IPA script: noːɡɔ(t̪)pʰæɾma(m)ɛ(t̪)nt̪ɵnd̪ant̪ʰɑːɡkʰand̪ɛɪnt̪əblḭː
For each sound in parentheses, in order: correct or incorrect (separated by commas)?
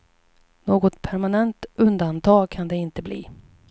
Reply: correct, incorrect, incorrect